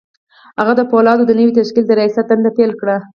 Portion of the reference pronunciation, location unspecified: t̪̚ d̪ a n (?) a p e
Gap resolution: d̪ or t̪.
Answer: d̪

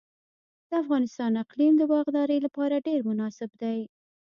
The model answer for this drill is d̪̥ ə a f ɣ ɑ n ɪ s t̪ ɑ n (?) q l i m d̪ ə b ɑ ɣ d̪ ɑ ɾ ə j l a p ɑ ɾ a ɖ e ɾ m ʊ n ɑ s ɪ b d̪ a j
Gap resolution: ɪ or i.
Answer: ɪ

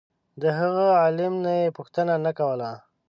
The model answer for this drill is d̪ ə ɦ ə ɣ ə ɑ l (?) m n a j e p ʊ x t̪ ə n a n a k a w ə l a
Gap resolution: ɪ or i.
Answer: ɪ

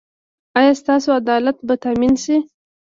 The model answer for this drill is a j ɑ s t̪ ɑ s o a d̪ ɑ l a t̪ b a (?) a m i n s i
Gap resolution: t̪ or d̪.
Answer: t̪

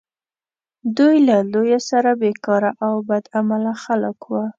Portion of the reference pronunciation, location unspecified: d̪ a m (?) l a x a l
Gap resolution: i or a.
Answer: a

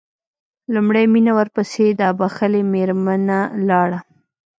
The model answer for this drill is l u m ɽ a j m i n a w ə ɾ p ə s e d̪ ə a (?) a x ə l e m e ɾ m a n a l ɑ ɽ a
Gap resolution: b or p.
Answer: b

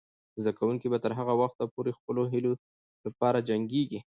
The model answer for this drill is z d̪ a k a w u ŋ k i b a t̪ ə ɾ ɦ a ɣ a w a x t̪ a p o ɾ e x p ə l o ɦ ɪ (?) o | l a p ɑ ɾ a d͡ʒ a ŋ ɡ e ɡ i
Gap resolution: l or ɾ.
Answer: l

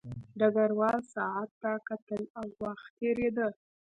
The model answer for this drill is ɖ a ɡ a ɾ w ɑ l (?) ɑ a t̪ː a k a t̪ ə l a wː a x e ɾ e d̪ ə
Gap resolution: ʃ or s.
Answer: s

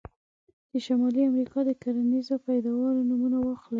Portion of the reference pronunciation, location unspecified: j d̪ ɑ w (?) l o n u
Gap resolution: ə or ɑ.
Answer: ɑ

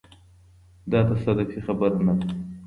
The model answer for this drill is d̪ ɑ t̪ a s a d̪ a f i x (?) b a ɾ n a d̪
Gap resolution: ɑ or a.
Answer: a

